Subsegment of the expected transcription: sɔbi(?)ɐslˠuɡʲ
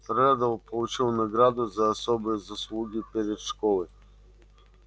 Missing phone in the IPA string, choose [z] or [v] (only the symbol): z